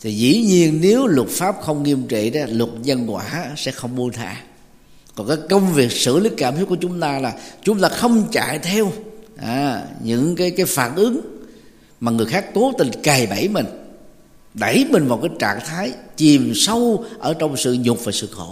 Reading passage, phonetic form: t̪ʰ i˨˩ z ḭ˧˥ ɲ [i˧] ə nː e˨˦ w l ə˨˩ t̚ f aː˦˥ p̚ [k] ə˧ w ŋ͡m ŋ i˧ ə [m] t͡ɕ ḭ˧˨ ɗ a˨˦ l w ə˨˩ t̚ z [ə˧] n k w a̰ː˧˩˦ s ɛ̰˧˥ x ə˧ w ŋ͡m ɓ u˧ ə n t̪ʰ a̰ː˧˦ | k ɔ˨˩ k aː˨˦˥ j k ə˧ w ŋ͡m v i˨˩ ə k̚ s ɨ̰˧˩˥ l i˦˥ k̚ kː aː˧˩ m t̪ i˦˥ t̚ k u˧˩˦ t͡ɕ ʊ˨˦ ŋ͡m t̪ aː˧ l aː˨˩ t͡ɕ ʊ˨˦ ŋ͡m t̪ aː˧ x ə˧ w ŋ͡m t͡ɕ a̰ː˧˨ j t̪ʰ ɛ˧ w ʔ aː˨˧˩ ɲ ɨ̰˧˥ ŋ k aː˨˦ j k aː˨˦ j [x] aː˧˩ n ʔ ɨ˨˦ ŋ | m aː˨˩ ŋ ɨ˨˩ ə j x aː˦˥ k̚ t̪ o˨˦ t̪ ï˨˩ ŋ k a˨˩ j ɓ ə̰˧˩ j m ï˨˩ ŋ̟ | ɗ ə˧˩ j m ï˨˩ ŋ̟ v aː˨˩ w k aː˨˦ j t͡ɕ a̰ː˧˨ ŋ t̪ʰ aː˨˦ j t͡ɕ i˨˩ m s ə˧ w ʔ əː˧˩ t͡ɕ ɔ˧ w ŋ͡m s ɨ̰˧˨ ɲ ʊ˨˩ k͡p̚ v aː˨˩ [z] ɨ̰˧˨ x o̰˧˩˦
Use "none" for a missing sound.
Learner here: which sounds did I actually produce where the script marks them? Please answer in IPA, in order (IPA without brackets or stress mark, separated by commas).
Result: i˧, x, m, ə˧, f, s